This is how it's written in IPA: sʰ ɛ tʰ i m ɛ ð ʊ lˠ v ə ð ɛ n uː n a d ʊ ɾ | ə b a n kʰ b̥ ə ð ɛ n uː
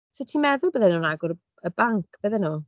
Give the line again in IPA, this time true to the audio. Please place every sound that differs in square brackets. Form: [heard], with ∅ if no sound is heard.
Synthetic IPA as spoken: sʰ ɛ tʰ i m ɛ ð ʊ lˠ [b] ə ð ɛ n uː n a [ɡ] ʊ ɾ | ə b a [ŋ] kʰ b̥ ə ð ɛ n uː